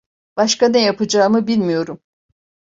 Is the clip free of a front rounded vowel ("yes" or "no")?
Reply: yes